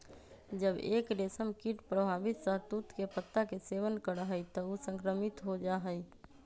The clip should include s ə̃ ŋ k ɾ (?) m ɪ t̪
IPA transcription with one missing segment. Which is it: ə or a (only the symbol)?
ə